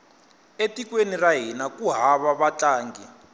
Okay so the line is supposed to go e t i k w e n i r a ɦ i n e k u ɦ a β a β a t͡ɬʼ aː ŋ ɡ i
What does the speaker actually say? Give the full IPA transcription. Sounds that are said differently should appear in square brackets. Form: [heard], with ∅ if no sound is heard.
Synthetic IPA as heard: e t i k w e n i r a ɦ i n [a] k u ɦ a β a β a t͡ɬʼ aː ŋ ɡ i